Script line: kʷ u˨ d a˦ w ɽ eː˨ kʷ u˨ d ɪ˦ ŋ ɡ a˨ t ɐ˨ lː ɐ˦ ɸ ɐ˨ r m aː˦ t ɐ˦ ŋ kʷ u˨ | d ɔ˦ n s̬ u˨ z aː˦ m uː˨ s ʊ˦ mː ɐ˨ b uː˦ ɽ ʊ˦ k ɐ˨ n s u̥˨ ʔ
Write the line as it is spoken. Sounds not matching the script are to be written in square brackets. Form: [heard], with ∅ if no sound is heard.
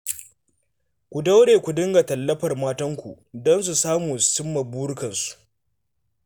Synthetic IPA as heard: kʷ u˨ d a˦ w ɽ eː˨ kʷ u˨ d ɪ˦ ŋ ɡ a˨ t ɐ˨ lː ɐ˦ ɸ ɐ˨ r m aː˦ t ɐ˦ ŋ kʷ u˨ | d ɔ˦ n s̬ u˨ [s] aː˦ m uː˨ s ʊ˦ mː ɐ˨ b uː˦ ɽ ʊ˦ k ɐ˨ n s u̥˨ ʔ